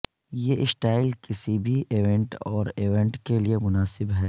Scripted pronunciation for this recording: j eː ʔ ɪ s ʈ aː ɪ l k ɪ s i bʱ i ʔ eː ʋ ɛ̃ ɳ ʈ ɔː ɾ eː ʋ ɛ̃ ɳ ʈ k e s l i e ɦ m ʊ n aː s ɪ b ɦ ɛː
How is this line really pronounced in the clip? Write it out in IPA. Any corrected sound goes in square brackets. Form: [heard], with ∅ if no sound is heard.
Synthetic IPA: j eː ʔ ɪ s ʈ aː ɪ l k ɪ s i bʱ i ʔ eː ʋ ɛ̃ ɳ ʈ ɔː ɾ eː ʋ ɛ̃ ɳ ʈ k e [∅] l i e [∅] m ʊ n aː s ɪ b ɦ ɛː